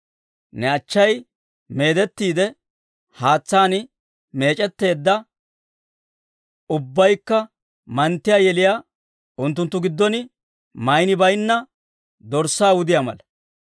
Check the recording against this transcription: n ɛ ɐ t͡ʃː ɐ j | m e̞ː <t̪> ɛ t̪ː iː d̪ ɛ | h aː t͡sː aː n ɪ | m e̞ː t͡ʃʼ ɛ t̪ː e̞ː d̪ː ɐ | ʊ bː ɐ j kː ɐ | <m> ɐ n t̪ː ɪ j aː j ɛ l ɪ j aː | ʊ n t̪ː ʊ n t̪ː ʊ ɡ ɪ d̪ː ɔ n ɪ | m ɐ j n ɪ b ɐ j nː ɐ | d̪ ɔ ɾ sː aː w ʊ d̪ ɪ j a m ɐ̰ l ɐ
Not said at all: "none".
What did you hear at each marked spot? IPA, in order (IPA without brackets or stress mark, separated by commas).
d̪, m